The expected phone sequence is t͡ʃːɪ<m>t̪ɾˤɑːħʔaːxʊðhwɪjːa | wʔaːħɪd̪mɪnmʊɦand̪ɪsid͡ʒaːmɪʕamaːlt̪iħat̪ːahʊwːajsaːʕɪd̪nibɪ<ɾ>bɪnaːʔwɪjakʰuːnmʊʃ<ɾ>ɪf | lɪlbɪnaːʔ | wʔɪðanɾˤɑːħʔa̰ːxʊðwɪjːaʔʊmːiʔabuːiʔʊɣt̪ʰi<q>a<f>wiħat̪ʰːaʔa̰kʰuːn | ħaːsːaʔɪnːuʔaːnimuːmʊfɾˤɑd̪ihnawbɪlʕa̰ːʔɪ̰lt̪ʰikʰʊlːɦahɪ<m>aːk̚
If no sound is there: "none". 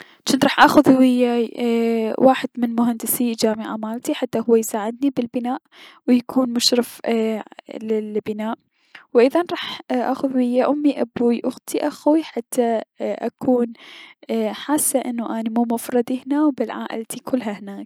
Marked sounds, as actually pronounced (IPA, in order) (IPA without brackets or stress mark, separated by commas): n, l, ɾ, ʔ, x, n